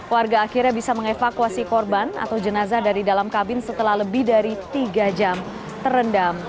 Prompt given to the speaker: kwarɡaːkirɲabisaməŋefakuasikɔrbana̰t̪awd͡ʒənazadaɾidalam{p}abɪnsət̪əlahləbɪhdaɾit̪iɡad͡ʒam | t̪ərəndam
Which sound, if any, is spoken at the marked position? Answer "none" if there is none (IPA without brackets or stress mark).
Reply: k